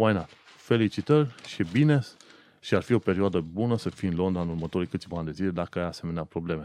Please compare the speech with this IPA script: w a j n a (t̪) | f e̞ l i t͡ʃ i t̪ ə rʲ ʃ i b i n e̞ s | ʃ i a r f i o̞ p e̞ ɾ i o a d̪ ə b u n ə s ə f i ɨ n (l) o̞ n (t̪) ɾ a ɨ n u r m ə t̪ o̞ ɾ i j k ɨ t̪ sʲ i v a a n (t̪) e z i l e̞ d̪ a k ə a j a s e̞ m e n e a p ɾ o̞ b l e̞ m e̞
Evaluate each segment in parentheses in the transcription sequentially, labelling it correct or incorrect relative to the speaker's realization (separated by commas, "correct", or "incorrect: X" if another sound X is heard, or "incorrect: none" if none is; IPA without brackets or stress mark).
correct, correct, incorrect: d̪, incorrect: d̪